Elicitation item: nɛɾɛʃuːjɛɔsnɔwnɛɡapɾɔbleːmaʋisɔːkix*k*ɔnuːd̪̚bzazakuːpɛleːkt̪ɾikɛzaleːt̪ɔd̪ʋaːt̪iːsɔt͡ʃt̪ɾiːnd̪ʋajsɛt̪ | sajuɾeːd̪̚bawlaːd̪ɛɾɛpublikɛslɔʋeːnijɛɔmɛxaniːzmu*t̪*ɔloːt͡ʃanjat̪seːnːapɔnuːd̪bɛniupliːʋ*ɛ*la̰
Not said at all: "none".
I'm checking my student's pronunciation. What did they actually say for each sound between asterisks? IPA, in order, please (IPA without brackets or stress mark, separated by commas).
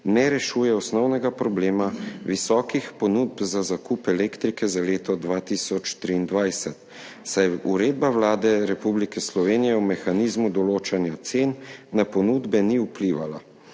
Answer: p, d̪, a